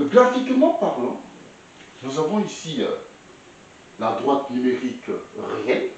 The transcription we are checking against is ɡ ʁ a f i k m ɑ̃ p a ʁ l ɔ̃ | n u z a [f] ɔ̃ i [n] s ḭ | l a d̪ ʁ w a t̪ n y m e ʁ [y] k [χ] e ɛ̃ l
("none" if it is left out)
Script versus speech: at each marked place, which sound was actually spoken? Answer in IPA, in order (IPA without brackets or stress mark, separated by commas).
v, none, i, ʁ